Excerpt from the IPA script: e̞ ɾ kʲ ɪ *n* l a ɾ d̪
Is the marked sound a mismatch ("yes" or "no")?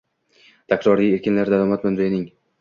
no